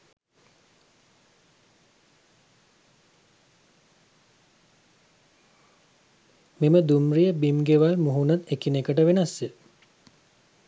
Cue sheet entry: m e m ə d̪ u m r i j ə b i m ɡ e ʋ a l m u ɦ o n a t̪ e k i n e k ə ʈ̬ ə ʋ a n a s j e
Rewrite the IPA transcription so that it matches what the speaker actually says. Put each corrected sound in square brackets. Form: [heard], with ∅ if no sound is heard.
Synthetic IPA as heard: m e m ə d̪ u m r i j ə b i m ɡ e ʋ a l m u ɦ [u] n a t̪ e k i n e k ə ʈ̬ ə ʋ [e] n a s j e